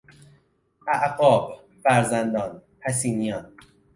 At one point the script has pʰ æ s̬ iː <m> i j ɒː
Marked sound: incorrect: n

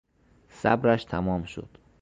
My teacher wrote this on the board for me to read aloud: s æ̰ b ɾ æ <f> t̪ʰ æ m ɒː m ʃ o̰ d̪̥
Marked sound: incorrect: ʃ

